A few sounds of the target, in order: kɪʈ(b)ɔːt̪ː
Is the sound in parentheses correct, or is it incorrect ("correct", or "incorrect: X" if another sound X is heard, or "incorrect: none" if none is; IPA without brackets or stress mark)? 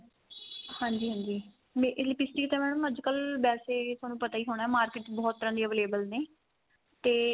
correct